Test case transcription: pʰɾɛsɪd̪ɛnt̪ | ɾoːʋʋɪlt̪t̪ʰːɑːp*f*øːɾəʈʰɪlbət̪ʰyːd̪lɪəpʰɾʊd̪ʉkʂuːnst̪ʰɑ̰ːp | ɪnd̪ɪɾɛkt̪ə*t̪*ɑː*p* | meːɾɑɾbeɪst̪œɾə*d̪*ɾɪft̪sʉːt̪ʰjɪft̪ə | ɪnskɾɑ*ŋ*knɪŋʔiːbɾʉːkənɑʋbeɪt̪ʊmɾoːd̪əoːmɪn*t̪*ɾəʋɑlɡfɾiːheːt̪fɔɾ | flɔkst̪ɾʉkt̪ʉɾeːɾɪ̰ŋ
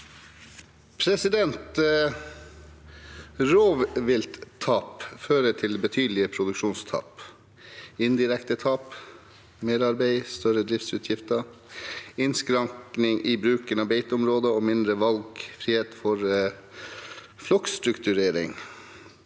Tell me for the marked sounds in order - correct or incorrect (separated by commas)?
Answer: correct, incorrect, correct, correct, correct, incorrect